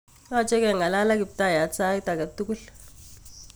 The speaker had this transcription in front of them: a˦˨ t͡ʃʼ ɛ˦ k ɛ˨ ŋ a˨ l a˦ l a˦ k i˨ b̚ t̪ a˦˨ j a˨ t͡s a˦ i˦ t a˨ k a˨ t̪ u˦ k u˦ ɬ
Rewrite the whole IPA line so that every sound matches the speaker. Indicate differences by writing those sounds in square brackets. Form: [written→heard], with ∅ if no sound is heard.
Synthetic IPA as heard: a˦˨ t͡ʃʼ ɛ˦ k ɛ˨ ŋ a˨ l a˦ l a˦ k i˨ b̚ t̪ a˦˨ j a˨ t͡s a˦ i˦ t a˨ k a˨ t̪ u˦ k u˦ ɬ